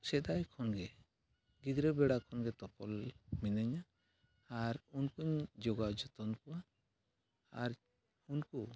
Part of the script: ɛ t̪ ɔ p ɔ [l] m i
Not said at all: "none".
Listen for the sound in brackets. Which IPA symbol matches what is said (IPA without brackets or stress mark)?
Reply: l